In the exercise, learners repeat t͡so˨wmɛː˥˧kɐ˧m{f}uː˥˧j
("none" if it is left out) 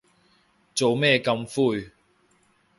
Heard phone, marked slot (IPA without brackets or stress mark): f